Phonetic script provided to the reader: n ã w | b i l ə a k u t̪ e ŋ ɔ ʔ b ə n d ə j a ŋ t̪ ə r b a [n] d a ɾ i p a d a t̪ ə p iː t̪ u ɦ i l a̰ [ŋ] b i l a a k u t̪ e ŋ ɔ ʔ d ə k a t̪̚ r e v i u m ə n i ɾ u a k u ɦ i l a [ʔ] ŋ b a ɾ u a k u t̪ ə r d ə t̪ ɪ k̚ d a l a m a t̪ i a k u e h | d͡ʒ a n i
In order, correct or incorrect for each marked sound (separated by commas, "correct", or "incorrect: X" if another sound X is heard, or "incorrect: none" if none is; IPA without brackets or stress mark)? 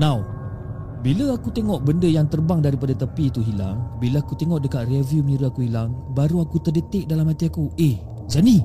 incorrect: ŋ, correct, incorrect: none